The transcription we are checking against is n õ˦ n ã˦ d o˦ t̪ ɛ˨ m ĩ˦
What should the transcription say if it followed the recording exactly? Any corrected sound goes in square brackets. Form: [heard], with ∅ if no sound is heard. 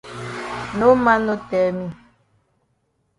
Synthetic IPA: n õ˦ [m] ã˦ [n] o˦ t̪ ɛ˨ m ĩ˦